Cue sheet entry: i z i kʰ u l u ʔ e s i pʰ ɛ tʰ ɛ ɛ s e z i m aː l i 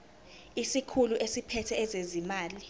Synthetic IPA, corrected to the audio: i s i kʰ u l u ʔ e s i pʰ ɛ tʰ ɛ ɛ z e z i m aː l i